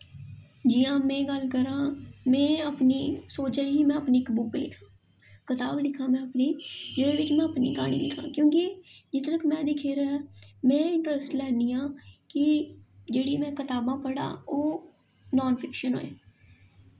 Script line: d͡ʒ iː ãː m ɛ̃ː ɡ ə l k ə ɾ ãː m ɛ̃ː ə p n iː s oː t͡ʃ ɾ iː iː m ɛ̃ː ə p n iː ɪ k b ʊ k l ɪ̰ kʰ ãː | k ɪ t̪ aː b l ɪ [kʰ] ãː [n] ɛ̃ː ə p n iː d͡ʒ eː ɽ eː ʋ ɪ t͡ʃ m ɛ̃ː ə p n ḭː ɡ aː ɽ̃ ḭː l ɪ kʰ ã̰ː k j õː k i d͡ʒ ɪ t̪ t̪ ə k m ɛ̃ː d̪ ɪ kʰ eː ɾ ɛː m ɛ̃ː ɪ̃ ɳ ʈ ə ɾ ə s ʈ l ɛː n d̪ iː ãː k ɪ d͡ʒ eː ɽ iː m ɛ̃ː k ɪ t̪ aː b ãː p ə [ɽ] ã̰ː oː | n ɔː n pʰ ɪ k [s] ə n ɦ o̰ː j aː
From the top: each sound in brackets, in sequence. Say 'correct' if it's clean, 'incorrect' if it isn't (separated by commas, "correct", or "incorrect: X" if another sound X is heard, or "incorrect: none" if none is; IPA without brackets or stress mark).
correct, incorrect: m, correct, incorrect: ʃ